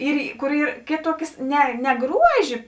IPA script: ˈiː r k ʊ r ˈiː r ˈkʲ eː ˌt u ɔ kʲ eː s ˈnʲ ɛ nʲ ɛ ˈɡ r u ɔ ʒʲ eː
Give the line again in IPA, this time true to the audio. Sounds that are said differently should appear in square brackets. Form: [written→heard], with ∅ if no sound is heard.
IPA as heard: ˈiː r k ʊ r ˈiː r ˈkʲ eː ˌt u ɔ kʲ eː s ˈnʲ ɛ nʲ ɛ ˈɡ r u ɔ ʒʲ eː